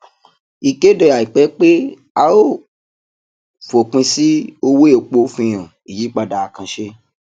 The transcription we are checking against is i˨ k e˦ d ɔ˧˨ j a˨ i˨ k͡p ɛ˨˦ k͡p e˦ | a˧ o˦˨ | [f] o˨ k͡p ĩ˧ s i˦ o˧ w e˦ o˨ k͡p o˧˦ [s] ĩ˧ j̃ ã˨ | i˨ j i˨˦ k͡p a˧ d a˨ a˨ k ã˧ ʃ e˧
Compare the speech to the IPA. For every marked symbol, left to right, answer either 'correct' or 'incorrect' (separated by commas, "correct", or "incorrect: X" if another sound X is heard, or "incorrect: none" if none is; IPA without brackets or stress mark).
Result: correct, incorrect: f